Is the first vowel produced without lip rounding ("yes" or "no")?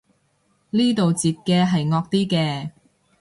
yes